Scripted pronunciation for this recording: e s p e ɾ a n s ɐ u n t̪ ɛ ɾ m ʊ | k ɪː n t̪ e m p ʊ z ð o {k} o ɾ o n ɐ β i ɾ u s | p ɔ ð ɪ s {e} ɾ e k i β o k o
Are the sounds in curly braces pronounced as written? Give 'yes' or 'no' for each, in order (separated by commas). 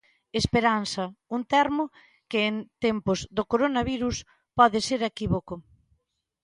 yes, yes